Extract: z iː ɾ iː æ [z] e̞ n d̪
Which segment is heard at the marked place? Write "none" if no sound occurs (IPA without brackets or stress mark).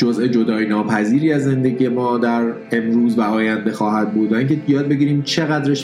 zː